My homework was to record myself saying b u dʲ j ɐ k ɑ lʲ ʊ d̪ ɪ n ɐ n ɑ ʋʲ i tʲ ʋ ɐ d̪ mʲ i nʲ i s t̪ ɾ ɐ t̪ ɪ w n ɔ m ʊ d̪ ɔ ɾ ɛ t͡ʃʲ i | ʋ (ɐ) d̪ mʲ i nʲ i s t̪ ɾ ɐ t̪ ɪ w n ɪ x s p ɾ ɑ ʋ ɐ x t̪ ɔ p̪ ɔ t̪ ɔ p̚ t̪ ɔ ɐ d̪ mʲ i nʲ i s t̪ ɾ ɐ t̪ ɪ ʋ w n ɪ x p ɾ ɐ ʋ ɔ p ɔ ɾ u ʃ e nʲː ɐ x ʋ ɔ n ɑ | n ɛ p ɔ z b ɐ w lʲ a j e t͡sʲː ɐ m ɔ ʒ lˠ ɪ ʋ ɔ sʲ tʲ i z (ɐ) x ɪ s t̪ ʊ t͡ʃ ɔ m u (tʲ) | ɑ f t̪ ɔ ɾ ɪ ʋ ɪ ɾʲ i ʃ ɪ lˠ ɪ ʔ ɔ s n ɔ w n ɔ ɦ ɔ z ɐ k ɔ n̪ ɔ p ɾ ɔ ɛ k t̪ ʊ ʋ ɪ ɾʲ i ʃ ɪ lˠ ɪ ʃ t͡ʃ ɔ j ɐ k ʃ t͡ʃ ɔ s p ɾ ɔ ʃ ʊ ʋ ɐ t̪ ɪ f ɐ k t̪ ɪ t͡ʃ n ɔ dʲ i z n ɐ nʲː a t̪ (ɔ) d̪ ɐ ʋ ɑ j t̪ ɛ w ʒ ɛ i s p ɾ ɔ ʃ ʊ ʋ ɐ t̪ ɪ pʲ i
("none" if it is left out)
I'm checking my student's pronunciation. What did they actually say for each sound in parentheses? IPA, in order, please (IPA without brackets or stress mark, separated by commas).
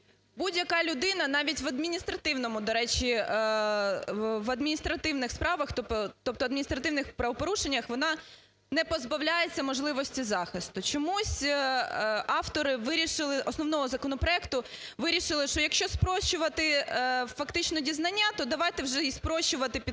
ɐ, ɑ, sʲ, ɔ